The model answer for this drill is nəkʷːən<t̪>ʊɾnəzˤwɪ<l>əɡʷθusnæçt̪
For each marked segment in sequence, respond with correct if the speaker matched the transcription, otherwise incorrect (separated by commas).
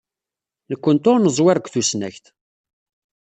correct, incorrect